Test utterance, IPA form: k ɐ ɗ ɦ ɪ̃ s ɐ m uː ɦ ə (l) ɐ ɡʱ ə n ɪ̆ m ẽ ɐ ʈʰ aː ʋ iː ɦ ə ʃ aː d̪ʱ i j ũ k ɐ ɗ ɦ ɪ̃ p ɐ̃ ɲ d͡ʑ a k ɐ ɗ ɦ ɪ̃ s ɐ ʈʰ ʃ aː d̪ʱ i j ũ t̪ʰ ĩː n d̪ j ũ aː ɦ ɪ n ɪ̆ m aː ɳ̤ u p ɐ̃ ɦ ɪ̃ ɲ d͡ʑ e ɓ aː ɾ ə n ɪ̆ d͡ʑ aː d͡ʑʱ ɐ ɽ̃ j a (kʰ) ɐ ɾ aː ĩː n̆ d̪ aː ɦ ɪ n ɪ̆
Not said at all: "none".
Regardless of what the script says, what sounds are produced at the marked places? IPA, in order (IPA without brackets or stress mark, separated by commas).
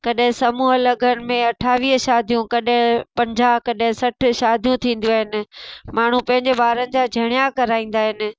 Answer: l, k